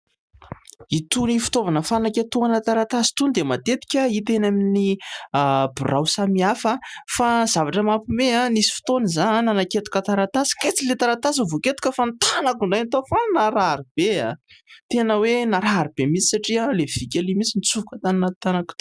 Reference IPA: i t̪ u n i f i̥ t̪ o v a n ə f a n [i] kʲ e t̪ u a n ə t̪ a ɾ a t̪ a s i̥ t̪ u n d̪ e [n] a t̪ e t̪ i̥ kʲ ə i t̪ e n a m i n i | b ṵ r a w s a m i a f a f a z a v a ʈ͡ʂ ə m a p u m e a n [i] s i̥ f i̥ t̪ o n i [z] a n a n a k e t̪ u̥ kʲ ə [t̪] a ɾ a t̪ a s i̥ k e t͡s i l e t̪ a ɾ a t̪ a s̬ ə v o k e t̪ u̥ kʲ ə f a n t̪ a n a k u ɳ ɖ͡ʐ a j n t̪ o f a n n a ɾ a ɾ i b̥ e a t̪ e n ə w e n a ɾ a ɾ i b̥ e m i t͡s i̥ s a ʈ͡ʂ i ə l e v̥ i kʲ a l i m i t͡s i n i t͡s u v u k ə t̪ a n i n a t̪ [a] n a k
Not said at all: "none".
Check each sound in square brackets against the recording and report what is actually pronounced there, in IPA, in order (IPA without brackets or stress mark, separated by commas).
a, m, i, z, t̪, a